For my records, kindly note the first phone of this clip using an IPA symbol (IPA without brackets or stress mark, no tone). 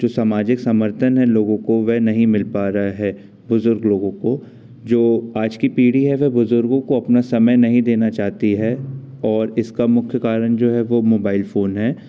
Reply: d͡ʒ